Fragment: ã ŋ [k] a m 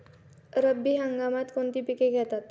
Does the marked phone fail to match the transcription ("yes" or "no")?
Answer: yes